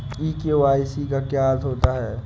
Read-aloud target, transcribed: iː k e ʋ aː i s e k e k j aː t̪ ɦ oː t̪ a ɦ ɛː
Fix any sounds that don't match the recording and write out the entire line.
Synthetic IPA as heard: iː k e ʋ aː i s i k a k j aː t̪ ɦ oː t̪ a ɦ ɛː